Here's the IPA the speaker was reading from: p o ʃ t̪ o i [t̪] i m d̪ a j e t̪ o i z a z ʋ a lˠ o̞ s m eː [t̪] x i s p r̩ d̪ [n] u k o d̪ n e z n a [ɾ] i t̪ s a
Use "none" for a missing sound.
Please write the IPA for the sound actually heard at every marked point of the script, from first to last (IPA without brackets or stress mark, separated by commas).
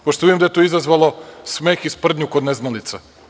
d̪, none, ɲ, l